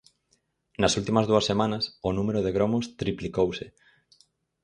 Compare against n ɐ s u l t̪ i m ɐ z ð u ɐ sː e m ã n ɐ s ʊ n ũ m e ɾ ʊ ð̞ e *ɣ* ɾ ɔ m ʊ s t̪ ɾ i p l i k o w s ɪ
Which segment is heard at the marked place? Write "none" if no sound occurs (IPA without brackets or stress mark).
ɣ